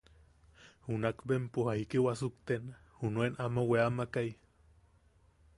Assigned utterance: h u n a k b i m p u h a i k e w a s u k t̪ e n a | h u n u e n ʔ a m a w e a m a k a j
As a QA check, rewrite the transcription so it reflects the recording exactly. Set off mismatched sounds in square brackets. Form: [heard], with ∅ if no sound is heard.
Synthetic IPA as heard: h u n a k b [e] m p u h a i k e w a s u k t̪ e n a | h u n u e n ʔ a m a w e a m a k a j